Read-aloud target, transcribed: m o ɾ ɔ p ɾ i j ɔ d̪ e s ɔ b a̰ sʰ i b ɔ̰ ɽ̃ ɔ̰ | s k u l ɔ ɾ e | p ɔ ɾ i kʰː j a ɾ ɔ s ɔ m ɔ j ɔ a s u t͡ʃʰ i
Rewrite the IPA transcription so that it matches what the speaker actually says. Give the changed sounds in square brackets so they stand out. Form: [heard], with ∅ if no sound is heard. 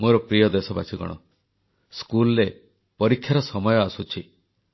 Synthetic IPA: m o ɾ ɔ p ɾ i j ɔ d̪ e s ɔ b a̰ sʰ i [ɡ] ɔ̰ ɽ̃ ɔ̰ | s k u l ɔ ɾ e | p ɔ ɾ i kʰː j a ɾ ɔ s ɔ m ɔ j ɔ a s u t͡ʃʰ i